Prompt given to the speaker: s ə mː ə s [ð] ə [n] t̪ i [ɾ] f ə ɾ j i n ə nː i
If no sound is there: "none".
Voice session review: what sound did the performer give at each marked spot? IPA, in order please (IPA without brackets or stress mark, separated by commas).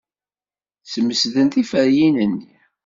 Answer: ð, n, none